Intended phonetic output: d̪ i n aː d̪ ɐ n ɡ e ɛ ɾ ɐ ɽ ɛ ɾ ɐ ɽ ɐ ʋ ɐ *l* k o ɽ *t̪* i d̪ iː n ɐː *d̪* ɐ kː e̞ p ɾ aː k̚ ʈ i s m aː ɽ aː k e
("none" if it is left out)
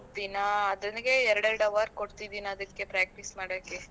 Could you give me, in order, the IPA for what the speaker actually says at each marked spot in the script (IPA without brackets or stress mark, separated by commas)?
ɾ, t̪, d̪